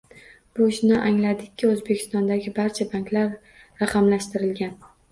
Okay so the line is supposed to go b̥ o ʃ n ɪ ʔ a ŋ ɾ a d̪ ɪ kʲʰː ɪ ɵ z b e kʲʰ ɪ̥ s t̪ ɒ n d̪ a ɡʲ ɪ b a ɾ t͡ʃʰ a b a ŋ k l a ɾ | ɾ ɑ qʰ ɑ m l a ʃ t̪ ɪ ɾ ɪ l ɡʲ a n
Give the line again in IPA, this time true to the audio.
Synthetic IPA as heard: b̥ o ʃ n ɪ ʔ a ŋ l a d̪ ɪ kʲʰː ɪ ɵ z b e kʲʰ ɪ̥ s t̪ ɒ n d̪ a ɡʲ ɪ b a ɾ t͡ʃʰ a b a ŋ k l a ɾ | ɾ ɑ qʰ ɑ m l a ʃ t̪ ɪ ɾ ɪ l ɡʲ a n